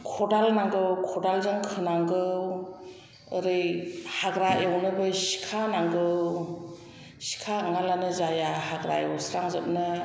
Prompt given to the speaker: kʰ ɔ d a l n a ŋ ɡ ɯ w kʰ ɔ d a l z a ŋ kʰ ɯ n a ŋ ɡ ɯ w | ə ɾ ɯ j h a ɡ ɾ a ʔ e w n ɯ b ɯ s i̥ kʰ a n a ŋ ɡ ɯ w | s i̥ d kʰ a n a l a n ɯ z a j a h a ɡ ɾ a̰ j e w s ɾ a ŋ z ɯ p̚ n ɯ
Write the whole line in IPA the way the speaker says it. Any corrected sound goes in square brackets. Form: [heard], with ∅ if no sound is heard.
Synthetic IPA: kʰ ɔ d a l n a ŋ ɡ ɯ w kʰ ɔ d a l z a ŋ kʰ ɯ n a ŋ ɡ ɯ w | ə ɾ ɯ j h a ɡ ɾ a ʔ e w n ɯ b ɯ s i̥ kʰ a n a ŋ ɡ ɯ w | s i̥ [∅] kʰ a [ŋ] a l a n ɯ z a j a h a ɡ ɾ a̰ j e w s ɾ a ŋ z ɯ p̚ n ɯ